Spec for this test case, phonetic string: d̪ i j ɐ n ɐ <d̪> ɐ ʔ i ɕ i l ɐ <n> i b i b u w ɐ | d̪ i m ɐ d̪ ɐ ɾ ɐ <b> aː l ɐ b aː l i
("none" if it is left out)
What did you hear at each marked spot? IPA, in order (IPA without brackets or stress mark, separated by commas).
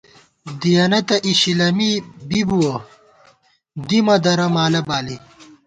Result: t̪, m, m